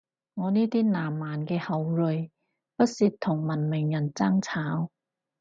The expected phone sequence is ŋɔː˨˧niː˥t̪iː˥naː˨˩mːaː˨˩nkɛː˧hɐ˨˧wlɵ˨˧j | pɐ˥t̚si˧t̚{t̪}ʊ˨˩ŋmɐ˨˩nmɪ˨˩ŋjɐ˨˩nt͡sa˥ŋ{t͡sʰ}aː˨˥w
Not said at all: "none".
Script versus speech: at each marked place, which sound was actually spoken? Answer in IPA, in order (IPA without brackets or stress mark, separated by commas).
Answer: t̪ʰ, t͡sʰ